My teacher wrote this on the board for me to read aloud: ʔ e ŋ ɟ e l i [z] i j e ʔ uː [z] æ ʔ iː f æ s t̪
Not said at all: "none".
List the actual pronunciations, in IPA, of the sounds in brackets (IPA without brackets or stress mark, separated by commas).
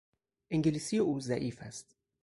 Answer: s, z